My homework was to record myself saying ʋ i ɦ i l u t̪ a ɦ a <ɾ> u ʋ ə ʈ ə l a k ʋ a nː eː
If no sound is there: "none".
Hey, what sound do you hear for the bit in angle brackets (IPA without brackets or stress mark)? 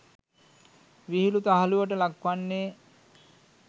l